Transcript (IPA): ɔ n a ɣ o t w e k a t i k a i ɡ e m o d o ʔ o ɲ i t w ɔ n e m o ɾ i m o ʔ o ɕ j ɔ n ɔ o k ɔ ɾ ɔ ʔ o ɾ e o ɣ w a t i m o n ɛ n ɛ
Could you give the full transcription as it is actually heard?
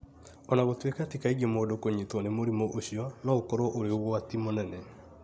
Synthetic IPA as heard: ɔ n a ɣ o t w e k a t i k a i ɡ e m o d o k o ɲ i t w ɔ n e m o ɾ i m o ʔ o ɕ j ɔ n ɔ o k ɔ ɾ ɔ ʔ o ɾ e o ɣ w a t i m o n ɛ n ɛ